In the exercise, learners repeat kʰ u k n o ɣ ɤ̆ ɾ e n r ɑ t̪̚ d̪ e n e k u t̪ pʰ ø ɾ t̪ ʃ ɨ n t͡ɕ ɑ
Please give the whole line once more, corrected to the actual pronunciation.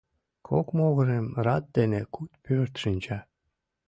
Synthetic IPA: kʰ o k m o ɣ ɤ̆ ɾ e m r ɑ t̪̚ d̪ e n e k u t̪ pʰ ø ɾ t̪ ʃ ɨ n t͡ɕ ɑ